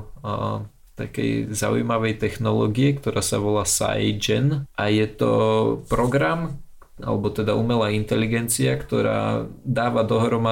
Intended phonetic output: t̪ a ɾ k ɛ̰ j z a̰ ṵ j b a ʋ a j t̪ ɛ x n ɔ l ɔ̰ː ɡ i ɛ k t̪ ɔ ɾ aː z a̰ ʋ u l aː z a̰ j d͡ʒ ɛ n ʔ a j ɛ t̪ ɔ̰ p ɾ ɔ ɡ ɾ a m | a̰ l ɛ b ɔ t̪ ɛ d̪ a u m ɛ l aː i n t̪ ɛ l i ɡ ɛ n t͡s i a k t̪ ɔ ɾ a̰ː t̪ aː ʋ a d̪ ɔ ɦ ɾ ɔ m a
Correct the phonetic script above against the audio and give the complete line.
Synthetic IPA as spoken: t̪ a k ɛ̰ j z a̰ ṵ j m a ʋ ɛ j t̪ ɛ x n ɔ l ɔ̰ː ɡ i ɛ k t̪ ɔ ɾ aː s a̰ ʋ ɔ l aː s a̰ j d͡ʒ ɛ n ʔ a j ɛ t̪ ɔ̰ p ɾ ɔ ɡ ɾ a m | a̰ l ɛ b ɔ t̪ ɛ d̪ a u m ɛ l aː i n t̪ ɛ l i ɡ ɛ n t͡s i a k t̪ ɔ ɾ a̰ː d̪ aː ʋ a d̪ ɔ ɦ ɾ ɔ m a